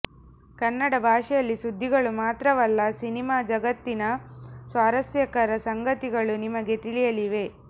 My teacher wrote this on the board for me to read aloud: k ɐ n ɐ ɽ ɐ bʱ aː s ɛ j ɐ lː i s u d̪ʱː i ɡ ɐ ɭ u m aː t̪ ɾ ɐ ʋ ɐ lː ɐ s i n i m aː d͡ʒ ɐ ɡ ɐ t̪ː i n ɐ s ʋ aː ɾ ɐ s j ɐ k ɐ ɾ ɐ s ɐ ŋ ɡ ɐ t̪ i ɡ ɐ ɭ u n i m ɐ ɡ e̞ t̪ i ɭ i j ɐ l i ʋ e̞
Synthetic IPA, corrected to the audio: k ɐ nː ɐ ɽ ɐ bʱ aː ʂ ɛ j ɐ lː i s u d̪ʱː i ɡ ɐ ɭ u m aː t̪ ɾ ɐ ʋ ɐ lː ɐ s i n i m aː d͡ʒ ɐ ɡ ɐ t̪ː i n ɐ s ʋ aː ɾ ɐ s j ɐ k ɐ ɾ ɐ s ɐ ŋ ɡ ɐ t̪ i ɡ ɐ ɭ u n i m ɐ ɡ e̞ t̪ i ɭ i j ɐ l i ʋ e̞